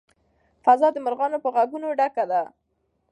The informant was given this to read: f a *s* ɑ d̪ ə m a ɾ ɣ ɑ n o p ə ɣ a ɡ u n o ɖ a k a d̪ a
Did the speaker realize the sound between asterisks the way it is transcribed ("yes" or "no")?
no